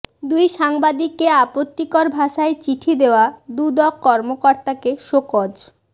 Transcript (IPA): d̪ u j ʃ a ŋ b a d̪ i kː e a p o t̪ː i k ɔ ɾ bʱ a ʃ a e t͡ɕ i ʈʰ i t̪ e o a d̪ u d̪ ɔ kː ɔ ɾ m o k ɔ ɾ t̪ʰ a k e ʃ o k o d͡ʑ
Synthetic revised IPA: d̪ u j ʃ a ŋ b a d̪ i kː e a p o t̪ː i k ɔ ɾ bʱ a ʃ a e t͡ɕ i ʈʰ i d̪ e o a d̪ u d̪ ɔ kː ɔ ɾ m o k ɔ ɾ t̪ a k e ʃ o k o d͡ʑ